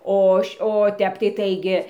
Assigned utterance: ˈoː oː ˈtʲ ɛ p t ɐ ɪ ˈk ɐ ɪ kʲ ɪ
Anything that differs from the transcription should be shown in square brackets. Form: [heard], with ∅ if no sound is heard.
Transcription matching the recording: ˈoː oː ˈtʲ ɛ p t ɐ ɪ [ˈt] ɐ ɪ [ɡʲ] ɪ

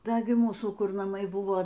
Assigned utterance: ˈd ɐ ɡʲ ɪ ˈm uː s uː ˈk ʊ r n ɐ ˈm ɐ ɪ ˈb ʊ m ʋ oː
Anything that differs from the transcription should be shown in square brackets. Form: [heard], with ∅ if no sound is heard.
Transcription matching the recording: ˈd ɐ ɡʲ ɪ ˈm uː s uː ˈk ʊ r n ɐ ˈm ɐ ɪ ˈb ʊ [∅] ʋ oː

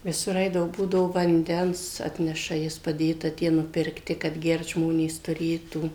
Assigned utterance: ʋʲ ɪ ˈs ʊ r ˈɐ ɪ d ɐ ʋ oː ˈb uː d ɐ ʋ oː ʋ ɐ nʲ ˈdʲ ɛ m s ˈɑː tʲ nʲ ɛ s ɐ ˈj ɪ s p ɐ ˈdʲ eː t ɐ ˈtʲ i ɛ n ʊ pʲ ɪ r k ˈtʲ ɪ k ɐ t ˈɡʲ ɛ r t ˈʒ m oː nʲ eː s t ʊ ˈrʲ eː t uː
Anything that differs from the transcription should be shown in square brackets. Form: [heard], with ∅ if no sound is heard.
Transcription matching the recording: ʋʲ ɪ ˈs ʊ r ˈɐ ɪ d ɐ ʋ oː ˈb uː d ɐ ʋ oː ʋ ɐ nʲ ˈdʲ ɛ [n] s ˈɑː tʲ nʲ ɛ [ʃ] ɐ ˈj ɪ s p ɐ ˈdʲ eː t ɐ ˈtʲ i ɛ n ʊ pʲ ɪ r k ˈtʲ ɪ k ɐ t ˈɡʲ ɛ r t ˈʒ m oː nʲ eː s t ʊ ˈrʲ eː t uː

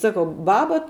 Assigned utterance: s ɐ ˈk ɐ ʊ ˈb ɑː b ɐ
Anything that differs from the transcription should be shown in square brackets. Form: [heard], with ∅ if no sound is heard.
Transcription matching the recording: s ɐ ˈk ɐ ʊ ˈb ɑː b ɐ

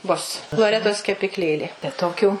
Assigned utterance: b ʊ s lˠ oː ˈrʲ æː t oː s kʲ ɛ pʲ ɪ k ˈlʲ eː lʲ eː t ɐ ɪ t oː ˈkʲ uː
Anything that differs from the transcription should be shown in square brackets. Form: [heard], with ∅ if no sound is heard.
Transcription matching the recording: b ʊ s lˠ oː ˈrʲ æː t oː s kʲ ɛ pʲ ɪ k ˈlʲ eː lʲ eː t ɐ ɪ t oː ˈkʲ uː

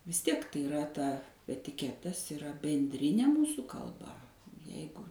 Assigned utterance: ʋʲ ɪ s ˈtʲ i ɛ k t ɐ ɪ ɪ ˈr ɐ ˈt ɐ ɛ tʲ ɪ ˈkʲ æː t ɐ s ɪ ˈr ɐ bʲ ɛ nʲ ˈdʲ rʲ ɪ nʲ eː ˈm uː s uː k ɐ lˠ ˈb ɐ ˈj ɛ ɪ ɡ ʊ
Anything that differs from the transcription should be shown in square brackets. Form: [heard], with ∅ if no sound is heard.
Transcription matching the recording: ʋʲ ɪ s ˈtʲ i ɛ k t ɐ ɪ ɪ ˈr ɐ ˈt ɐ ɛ tʲ ɪ ˈkʲ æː t ɐ s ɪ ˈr ɐ bʲ ɛ nʲ ˈdʲ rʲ ɪ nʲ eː ˈm uː s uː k ɐ lˠ ˈb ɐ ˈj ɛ ɪ ɡ ʊ

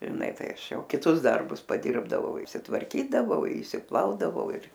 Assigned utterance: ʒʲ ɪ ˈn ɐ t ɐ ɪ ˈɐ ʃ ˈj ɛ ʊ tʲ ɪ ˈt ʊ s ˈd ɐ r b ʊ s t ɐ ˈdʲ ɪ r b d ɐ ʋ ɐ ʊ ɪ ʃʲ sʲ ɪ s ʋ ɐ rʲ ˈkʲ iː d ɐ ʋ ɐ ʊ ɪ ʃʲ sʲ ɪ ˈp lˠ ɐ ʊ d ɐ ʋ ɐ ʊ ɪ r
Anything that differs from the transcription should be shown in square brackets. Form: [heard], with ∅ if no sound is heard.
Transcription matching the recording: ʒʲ ɪ ˈn ɐ t ɐ ɪ ˈɐ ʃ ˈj ɛ ʊ [kʲ] ɪ ˈt ʊ s ˈd ɐ r b ʊ s [p] ɐ ˈdʲ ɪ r b d ɐ ʋ ɐ ʊ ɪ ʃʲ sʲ ɪ [t] ʋ ɐ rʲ ˈkʲ iː d ɐ ʋ ɐ ʊ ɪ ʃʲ sʲ ɪ ˈp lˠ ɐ ʊ d ɐ ʋ ɐ ʊ ɪ r

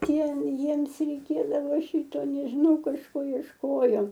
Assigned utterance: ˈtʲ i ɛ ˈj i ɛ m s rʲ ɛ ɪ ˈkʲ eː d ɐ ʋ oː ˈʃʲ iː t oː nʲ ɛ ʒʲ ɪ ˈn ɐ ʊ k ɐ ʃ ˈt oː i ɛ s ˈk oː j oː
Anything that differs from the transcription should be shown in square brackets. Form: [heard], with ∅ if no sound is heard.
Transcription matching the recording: ˈtʲ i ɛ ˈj i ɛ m s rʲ ɛ ɪ ˈkʲ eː d ɐ ʋ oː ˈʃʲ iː t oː nʲ ɛ ʒʲ ɪ ˈn ɐ ʊ k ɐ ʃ [ˈk] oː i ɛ [ʃ] ˈk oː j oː

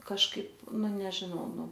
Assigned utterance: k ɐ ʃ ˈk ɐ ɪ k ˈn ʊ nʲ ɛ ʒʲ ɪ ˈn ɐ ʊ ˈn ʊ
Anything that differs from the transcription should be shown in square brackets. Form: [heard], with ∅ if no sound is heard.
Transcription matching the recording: k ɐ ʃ ˈk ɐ ɪ [p] ˈn ʊ nʲ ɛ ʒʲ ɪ ˈn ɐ ʊ ˈn ʊ

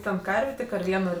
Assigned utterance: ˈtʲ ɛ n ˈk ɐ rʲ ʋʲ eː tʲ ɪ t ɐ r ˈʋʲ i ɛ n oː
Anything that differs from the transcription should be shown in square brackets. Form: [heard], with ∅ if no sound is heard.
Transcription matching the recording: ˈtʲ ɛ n ˈk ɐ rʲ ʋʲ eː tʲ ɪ [k] ɐ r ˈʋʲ i ɛ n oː

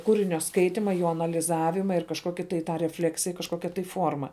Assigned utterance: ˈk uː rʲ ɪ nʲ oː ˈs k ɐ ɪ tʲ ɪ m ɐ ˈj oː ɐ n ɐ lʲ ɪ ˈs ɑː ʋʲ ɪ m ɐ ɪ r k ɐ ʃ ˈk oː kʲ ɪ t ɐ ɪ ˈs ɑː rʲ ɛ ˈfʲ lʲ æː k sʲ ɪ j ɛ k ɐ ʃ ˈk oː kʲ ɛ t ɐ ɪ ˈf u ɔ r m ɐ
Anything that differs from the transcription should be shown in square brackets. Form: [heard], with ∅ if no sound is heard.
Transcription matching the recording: ˈk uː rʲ ɪ nʲ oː ˈs k ɐ ɪ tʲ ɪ m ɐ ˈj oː ɐ n ɐ lʲ ɪ [ˈz] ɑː ʋʲ ɪ m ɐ ɪ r k ɐ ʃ ˈk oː kʲ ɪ t ɐ ɪ [ˈt] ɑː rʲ ɛ ˈfʲ lʲ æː k sʲ ɪ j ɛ k ɐ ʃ ˈk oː kʲ ɛ t ɐ ɪ ˈf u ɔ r m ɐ

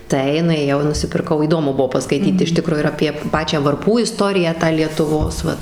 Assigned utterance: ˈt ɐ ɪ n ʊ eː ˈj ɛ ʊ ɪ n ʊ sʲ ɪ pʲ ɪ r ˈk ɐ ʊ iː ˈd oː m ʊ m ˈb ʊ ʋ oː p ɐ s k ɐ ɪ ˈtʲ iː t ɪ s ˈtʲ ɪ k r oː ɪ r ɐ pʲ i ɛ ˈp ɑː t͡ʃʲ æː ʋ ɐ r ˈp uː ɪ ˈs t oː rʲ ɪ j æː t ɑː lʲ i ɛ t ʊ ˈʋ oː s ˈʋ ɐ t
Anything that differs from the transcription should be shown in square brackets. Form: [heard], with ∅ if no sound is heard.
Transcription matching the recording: ˈt ɐ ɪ n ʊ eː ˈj ɛ ʊ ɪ n ʊ sʲ ɪ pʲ ɪ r ˈk ɐ ʊ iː ˈd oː m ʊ [∅] ˈb ʊ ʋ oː p ɐ s k ɐ ɪ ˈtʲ iː t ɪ [ʃ] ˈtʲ ɪ k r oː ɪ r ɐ pʲ i ɛ ˈp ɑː t͡ʃʲ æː ʋ ɐ r ˈp uː ɪ ˈs t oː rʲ ɪ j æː t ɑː lʲ i ɛ t ʊ ˈʋ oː s ˈʋ ɐ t

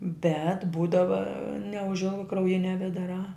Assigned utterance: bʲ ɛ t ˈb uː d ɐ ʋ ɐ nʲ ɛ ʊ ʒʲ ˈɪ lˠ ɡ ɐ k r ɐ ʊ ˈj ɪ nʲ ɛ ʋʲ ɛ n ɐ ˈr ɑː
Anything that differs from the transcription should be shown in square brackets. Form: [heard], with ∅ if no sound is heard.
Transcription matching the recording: bʲ ɛ t ˈb uː d ɐ ʋ ɐ nʲ ɛ ʊ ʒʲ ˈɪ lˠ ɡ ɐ k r ɐ ʊ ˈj ɪ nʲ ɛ ʋʲ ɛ [d] ɐ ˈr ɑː

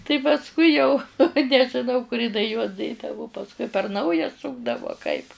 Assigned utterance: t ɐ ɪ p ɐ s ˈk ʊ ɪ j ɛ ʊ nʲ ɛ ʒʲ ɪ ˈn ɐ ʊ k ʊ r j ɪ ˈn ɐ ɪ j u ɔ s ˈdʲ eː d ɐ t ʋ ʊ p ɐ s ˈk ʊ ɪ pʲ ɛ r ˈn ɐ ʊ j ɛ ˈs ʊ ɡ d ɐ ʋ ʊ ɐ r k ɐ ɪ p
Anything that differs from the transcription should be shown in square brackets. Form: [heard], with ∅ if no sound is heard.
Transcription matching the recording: t ɐ ɪ p ɐ s ˈk ʊ ɪ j ɛ ʊ nʲ ɛ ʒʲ ɪ ˈn ɐ ʊ k ʊ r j ɪ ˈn ɐ ɪ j u ɔ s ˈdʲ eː d ɐ [∅] ʋ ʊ p ɐ s ˈk ʊ ɪ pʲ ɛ r ˈn ɐ ʊ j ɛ ˈs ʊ ɡ d ɐ ʋ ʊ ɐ [∅] k ɐ ɪ p

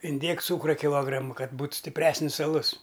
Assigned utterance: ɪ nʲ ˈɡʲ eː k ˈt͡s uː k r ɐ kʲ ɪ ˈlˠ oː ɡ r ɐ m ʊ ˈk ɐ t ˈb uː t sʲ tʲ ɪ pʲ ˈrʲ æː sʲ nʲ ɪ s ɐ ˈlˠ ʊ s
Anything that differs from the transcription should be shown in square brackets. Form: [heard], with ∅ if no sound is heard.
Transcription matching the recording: ɪ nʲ [ˈdʲ] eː k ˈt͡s uː k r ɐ kʲ ɪ ˈlˠ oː ɡ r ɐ m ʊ ˈk ɐ t ˈb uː t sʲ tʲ ɪ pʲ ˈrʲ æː sʲ nʲ ɪ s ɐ ˈlˠ ʊ s

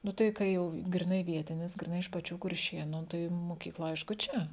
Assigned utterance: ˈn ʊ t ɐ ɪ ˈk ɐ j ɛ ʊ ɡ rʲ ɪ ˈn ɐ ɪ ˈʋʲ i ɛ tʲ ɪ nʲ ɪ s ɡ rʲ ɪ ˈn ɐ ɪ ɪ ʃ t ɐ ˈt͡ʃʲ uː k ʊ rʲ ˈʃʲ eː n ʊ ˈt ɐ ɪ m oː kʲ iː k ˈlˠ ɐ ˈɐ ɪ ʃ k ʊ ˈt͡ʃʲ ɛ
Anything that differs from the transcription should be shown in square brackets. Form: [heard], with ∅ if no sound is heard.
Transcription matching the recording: ˈn ʊ t ɐ ɪ ˈk ɐ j ɛ ʊ ɡ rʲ ɪ ˈn ɐ ɪ ˈʋʲ i ɛ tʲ ɪ nʲ ɪ s ɡ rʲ ɪ ˈn ɐ ɪ ɪ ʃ [p] ɐ ˈt͡ʃʲ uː k ʊ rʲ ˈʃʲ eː n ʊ ˈt ɐ ɪ m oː kʲ iː k ˈlˠ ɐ ˈɐ ɪ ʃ k ʊ ˈt͡ʃʲ ɛ

